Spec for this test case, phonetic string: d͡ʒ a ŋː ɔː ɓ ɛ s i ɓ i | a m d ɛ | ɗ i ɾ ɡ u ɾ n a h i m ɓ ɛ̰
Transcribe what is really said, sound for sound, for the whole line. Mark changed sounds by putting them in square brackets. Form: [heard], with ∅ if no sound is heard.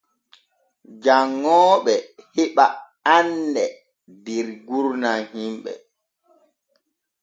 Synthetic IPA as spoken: d͡ʒ a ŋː ɔː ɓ ɛ [h] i ɓ [a] | a [n] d ɛ | [d] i ɾ ɡ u ɾ n a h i m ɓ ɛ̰

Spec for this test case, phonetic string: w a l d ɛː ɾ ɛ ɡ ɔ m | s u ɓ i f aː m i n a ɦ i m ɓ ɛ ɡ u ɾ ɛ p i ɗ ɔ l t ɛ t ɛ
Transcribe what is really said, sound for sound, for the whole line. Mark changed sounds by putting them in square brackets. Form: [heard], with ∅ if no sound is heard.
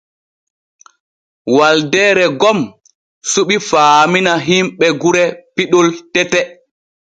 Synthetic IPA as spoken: w a l d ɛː ɾ ɛ ɡ ɔ m | s u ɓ i f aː m i n a ɦ i m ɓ ɛ ɡ u ɾ ɛ p i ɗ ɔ l t ɛ t ɛ

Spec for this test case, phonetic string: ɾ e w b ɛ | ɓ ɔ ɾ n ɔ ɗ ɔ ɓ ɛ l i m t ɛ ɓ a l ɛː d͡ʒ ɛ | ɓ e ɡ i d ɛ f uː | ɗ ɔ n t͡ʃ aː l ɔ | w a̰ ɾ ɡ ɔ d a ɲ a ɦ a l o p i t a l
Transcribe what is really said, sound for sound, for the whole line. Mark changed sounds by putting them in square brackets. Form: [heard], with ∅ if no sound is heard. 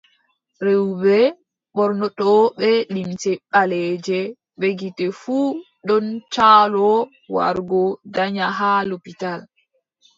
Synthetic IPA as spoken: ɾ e w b ɛ | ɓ ɔ ɾ n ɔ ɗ ɔ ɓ ɛ l i m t ɛ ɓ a l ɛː d͡ʒ ɛ | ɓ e ɡ i [t] ɛ f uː | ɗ ɔ n t͡ʃ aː l ɔ | w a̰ ɾ ɡ ɔ d a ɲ a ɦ a l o p i t a l

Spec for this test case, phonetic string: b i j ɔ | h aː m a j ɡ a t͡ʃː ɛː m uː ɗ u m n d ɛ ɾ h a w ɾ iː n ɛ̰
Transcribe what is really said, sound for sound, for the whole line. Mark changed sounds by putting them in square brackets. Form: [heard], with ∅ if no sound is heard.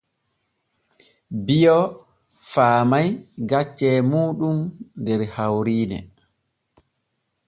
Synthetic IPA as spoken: b i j ɔ | [f] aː m a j ɡ a t͡ʃː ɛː m uː ɗ u m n d ɛ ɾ h a w ɾ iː n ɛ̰

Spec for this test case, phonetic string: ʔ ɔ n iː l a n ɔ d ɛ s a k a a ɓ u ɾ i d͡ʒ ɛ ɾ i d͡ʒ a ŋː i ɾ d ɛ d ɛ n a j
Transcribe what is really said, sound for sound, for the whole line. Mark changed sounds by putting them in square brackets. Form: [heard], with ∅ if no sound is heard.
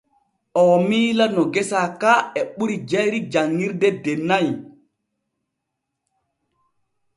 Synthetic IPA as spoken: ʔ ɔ [m] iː l a n ɔ [ɡ] ɛ s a k a [ɛ] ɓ u ɾ i d͡ʒ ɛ ɾ i d͡ʒ a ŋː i ɾ d ɛ d ɛ n a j

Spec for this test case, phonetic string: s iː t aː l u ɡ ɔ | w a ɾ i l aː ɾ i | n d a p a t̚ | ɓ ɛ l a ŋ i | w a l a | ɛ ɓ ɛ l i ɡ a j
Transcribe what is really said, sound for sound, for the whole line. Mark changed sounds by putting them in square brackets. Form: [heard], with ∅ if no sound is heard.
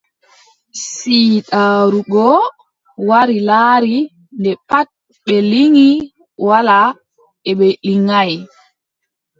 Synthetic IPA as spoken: s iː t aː [ɾ] u ɡ ɔ | w a ɾ i l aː ɾ i | n d [ɛ] p a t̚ | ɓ ɛ l [i] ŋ i | w a l a | ɛ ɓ ɛ l i [ŋ] a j

